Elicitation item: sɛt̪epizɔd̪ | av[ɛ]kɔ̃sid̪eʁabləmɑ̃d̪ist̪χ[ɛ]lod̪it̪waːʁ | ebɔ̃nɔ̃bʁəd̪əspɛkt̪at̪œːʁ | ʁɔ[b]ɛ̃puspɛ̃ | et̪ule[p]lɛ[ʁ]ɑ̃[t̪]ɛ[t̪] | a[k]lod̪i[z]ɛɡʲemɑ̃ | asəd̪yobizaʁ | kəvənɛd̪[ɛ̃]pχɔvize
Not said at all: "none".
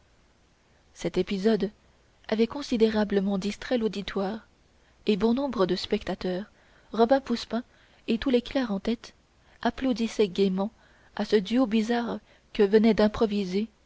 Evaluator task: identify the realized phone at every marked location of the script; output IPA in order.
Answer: ɛ, ɛ, b, k, ʁ, t̪, t̪, p, s, ɛ̃

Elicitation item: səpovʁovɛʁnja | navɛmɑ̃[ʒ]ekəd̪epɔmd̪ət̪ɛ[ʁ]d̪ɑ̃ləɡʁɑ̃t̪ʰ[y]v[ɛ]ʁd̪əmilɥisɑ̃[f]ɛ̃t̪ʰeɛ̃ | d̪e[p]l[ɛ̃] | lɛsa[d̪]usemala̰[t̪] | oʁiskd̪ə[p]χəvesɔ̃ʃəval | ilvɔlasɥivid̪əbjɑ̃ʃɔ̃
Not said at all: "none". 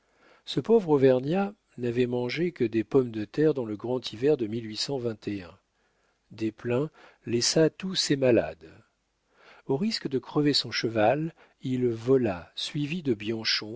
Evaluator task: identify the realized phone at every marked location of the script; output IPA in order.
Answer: ʒ, ʁ, i, ɛ, v, p, ɛ̃, t̪, d̪, k

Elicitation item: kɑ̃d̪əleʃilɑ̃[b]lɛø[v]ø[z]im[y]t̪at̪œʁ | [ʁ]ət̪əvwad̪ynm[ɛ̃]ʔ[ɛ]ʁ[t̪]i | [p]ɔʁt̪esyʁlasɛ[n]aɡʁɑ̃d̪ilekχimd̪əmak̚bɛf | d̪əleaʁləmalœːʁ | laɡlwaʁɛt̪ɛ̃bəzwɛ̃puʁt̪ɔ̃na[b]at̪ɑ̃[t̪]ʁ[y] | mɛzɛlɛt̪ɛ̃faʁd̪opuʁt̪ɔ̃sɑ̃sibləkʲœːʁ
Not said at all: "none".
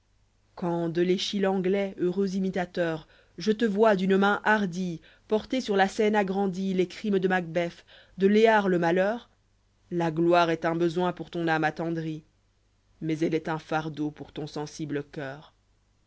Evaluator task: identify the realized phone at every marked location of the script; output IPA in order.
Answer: ɡ, ʁ, z, i, ʒ, ɛ̃, a, d̪, p, n, m, d̪, i

